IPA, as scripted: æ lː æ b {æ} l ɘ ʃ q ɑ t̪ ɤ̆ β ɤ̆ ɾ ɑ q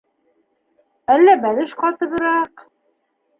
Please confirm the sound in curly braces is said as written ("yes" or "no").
yes